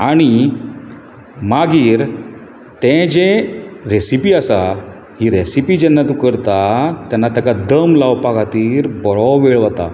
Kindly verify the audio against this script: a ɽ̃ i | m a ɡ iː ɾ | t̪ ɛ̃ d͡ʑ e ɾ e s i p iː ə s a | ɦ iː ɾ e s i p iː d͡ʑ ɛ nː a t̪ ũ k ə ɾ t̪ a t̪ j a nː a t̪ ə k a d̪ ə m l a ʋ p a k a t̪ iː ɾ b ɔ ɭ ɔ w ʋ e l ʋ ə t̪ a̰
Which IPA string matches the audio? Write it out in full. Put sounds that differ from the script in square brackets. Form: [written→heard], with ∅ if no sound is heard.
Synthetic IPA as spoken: a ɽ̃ i | m a ɡ iː ɾ | t̪ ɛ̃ d͡ʑ e ɾ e s i p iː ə s a | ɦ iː ɾ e s i p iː d͡ʑ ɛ nː a t̪ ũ k ə ɾ t̪ a t̪ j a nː a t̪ ə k a d̪ ə m l a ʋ p a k a t̪ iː ɾ b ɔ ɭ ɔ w ʋ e [l→ɭ] ʋ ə t̪ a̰